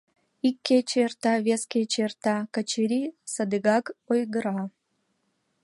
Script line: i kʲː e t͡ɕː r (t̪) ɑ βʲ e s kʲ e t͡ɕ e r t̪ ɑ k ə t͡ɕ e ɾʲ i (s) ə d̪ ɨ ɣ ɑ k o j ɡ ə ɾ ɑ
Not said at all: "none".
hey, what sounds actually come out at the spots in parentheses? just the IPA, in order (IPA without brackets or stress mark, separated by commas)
t̪, s